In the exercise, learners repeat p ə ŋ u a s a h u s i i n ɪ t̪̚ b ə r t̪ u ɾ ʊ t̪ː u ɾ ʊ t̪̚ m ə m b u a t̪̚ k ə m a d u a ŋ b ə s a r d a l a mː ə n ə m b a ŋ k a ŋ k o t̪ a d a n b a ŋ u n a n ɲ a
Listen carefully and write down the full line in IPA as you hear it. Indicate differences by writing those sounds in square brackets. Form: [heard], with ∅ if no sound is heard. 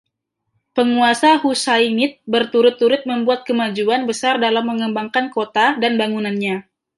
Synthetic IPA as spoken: p ə ŋ u a s a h u s [a] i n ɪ t̪̚ b ə r t̪ u ɾ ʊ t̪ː u ɾ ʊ t̪̚ m ə m b u a t̪̚ k ə m a [d͡ʒ] u a [n] b ə s a r d a l a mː ə [ŋ] ə m b a ŋ k a [n] k o t̪ a d a n b a ŋ u n a n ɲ a